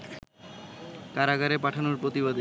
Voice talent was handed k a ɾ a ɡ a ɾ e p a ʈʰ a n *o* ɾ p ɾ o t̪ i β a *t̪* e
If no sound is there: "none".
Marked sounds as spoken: o, d̪

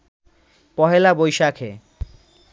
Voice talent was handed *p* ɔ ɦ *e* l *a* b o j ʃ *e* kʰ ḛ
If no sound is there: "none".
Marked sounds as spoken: p, e, a, a

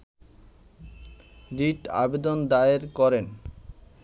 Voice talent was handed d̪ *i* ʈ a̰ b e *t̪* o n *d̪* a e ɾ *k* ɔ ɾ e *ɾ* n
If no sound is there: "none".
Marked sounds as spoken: i, d̪, d̪, k, none

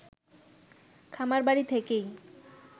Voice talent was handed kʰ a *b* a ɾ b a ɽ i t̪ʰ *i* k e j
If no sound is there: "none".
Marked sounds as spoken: m, e

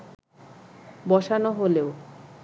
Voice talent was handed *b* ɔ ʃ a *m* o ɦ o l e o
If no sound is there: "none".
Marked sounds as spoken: b, n

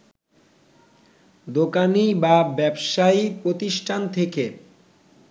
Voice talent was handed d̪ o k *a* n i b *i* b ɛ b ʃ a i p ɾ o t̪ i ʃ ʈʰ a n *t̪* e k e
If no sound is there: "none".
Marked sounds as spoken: a, a, t̪ʰ

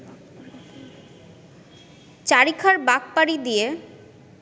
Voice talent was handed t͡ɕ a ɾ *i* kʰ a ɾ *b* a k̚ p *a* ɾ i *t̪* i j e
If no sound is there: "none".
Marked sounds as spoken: i, b, a, d̪

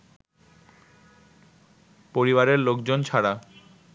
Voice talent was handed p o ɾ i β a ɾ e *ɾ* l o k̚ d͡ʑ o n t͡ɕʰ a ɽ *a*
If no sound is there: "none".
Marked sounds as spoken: ɾ, a

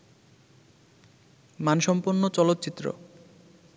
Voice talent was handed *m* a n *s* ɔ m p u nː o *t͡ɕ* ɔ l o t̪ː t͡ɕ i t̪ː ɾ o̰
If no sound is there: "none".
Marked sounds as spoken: m, ʃ, t͡ɕ

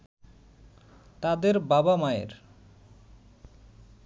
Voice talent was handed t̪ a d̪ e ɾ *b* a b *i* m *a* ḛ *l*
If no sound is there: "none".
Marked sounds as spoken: b, a, a, ɾ

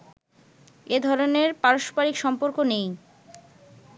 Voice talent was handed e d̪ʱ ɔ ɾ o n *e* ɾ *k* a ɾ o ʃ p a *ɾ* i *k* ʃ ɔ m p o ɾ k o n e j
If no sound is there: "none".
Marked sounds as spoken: e, p, ɾ, k

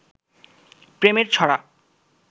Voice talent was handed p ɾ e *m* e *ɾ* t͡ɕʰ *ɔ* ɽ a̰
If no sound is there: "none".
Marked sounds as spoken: m, ɾ, ɔ

